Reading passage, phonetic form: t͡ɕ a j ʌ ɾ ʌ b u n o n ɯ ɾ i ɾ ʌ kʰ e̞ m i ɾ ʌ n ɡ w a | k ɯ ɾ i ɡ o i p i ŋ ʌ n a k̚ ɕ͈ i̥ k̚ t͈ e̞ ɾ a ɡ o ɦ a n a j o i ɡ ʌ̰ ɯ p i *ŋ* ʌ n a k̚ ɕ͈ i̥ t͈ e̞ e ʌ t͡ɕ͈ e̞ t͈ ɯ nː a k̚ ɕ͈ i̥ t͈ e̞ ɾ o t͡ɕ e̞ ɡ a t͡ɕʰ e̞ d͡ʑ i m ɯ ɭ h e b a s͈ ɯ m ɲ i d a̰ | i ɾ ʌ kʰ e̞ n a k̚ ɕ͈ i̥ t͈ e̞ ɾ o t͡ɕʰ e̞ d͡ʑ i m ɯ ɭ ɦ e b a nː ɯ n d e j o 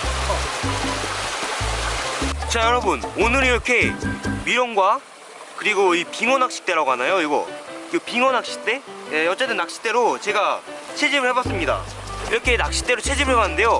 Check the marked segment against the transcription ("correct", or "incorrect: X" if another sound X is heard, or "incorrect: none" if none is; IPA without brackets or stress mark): correct